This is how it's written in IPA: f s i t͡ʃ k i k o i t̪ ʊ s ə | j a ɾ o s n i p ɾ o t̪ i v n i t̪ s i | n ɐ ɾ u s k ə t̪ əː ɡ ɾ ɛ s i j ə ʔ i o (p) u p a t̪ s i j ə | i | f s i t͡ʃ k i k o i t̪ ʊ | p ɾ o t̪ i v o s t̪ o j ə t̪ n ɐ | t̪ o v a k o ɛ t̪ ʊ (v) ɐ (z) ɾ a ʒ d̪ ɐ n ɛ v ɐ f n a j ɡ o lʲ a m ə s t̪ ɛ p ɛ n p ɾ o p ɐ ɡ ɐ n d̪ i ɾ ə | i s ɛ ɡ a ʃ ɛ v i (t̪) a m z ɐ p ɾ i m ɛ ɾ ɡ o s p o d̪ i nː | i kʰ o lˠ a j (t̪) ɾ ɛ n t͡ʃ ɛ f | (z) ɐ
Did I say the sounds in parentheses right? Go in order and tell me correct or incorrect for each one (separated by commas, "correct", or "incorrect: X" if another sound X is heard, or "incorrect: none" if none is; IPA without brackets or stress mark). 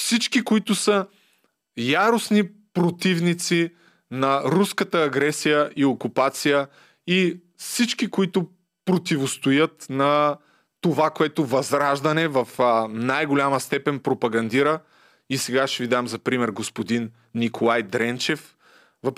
incorrect: k, correct, correct, incorrect: d̪, incorrect: d̪, incorrect: v